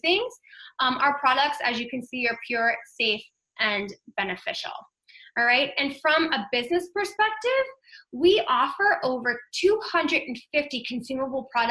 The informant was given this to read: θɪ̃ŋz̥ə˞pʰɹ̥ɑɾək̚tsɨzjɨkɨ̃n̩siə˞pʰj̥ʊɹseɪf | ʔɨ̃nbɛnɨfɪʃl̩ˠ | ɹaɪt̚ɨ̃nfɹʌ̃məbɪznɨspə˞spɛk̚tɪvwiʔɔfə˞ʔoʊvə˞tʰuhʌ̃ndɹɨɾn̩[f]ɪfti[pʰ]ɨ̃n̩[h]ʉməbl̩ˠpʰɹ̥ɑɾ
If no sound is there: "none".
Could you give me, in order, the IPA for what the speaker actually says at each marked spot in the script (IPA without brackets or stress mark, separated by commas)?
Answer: f, kʰ, s